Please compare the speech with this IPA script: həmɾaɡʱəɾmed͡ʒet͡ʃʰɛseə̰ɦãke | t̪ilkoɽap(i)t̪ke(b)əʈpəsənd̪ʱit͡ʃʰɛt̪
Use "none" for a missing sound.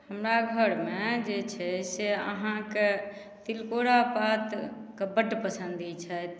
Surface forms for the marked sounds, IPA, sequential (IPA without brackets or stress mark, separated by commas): a, b